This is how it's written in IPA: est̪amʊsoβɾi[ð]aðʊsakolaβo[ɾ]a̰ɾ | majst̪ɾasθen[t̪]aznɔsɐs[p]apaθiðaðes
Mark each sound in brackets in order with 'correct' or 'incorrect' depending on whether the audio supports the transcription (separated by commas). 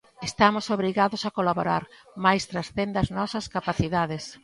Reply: incorrect, correct, incorrect, incorrect